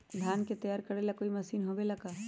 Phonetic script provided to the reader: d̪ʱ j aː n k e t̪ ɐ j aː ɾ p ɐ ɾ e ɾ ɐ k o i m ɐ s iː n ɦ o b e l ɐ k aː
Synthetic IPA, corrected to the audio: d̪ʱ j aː n k e t̪ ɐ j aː ɾ k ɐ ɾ e l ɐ k o i m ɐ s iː n ɦ o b e l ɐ k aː